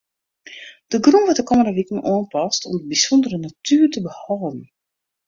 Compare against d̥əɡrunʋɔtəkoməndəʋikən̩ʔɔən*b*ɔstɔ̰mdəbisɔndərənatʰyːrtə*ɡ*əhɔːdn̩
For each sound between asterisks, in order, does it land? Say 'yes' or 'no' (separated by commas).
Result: no, no